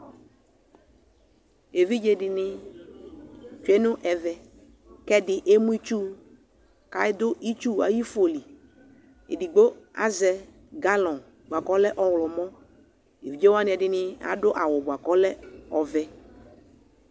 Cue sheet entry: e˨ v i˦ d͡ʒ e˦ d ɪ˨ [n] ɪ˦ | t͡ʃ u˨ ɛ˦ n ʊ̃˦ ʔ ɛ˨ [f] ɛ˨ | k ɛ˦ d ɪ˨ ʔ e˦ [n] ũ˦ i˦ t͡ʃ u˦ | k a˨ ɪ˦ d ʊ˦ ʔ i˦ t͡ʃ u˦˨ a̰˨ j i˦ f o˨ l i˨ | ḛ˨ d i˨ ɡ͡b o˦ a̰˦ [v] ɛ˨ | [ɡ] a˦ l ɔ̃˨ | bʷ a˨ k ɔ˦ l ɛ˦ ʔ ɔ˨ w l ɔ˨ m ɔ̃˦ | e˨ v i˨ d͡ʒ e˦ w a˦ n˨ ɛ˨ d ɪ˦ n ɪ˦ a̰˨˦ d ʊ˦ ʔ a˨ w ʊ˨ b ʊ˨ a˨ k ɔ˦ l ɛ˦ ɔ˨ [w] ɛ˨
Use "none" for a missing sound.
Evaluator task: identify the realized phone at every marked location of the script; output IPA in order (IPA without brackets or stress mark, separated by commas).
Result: n, v, m, z, ɡ, v